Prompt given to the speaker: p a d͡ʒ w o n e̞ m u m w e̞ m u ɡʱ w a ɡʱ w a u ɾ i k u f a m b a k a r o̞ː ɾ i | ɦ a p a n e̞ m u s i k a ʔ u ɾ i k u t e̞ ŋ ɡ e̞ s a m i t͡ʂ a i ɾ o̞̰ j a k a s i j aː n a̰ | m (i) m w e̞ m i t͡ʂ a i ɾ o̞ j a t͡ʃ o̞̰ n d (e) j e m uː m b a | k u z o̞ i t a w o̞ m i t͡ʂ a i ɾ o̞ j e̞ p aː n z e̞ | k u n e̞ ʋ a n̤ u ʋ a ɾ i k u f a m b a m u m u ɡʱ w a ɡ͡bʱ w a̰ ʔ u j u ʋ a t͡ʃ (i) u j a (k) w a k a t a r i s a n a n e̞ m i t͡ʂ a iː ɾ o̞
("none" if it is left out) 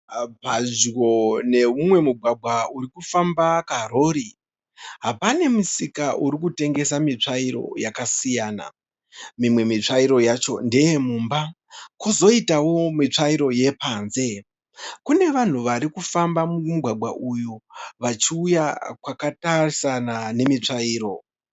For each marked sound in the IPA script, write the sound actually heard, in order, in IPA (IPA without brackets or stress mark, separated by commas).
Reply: i, e, i, k